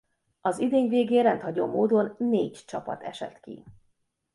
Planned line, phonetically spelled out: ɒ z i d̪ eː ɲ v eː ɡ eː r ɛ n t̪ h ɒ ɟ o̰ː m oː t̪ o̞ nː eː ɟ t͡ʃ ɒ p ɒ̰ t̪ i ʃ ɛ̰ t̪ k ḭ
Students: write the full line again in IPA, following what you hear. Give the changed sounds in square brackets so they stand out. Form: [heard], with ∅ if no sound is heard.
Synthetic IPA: ɒ z i d̪ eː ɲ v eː ɡ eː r ɛ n t̪ h ɒ ɟ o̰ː m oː [d̪] o̞ nː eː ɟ t͡ʃ ɒ p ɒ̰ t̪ [ɛ] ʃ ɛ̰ t̪ k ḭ